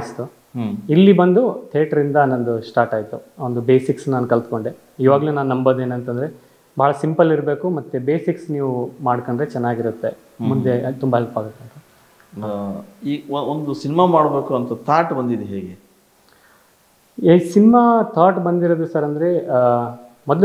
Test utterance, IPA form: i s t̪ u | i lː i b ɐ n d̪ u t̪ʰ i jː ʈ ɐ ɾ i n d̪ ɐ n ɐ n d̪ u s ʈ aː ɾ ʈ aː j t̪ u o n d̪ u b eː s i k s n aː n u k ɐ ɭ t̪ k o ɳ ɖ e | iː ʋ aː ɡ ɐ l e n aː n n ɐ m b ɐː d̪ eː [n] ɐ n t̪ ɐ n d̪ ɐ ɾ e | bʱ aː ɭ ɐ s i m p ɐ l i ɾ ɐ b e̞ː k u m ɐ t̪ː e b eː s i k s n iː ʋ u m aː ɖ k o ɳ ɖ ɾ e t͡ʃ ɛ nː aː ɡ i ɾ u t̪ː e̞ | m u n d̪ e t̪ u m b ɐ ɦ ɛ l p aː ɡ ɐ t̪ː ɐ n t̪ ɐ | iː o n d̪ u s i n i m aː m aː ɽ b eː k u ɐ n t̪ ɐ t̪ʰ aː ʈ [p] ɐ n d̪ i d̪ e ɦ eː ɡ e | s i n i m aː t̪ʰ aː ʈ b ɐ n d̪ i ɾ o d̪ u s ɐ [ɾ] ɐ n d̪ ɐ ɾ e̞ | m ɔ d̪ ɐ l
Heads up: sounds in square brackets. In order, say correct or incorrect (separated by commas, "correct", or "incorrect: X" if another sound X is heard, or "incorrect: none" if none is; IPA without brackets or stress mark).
correct, incorrect: b, correct